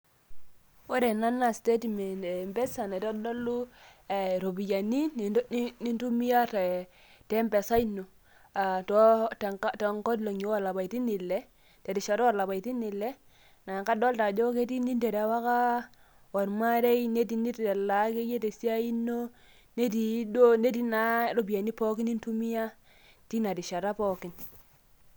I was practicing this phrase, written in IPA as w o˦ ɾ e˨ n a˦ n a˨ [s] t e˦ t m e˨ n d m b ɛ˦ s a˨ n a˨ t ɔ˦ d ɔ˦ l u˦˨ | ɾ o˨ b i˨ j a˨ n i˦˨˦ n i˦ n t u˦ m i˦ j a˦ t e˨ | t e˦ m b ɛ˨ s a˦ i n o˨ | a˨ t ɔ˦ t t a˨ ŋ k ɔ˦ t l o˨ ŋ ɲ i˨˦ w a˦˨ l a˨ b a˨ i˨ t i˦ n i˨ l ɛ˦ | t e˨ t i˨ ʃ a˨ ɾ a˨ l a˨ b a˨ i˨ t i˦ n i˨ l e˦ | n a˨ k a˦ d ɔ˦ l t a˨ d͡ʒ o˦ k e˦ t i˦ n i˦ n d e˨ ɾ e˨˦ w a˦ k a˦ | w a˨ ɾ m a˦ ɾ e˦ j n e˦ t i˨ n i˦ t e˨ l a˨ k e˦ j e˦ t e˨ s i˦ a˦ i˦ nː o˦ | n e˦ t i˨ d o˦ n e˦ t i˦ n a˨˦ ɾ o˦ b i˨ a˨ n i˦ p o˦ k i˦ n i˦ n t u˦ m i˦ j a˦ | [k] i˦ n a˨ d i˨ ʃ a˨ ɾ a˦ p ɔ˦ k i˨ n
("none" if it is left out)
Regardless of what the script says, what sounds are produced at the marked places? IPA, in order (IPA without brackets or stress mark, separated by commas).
s, t